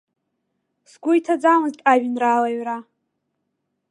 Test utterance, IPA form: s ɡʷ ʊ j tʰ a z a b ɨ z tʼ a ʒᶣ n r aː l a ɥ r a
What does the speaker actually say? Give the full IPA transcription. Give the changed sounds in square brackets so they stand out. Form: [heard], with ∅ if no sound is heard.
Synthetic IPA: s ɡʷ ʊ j tʰ a [d͡z] a [m] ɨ z tʼ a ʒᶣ n r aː l a ɥ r a